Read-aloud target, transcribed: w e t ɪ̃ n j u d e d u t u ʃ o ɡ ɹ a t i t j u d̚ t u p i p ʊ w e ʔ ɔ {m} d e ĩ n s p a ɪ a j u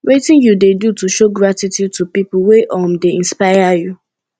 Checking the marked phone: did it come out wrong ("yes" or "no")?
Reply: no